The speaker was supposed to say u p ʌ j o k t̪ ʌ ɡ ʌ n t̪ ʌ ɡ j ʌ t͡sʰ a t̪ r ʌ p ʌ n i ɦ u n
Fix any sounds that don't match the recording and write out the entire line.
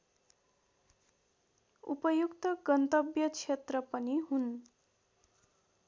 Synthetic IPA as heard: u p ʌ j u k t̪ ʌ ɡ ʌ n t̪ ʌ b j ʌ t͡sʰ e t̪ r ʌ p ʌ n i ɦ u n